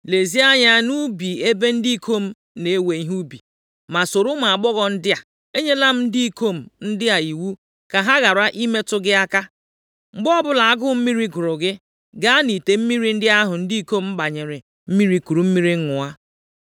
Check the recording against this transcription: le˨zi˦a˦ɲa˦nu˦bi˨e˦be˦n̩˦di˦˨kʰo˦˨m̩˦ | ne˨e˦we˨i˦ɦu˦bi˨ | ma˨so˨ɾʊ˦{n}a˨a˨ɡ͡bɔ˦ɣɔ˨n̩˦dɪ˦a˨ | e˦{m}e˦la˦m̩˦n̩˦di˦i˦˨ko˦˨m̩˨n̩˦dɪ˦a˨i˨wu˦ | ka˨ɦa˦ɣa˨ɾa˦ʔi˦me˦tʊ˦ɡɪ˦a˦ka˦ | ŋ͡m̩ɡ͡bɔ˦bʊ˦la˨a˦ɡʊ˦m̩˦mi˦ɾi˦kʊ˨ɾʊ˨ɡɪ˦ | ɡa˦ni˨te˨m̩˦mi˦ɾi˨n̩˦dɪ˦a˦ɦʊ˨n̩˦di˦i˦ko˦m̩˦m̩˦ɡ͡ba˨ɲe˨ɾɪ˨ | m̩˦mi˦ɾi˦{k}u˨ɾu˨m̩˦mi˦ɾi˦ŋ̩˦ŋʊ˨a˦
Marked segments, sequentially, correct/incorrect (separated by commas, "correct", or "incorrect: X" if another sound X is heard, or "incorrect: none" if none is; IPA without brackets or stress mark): incorrect: m, incorrect: ɲ, correct